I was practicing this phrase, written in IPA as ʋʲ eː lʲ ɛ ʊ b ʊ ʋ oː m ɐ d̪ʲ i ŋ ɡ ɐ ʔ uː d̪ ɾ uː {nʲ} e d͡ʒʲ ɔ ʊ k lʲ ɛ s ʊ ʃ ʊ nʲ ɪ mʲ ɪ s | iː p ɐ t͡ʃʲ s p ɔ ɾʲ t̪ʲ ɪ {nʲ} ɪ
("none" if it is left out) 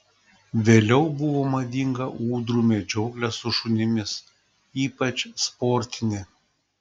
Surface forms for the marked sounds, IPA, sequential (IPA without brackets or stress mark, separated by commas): mʲ, nʲ